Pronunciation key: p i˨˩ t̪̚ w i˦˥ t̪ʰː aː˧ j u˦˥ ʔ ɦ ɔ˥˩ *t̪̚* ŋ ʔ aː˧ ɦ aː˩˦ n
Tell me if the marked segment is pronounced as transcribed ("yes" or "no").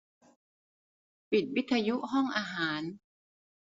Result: no